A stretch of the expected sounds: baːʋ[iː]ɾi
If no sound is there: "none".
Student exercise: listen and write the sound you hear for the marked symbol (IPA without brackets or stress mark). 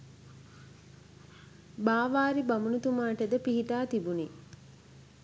aː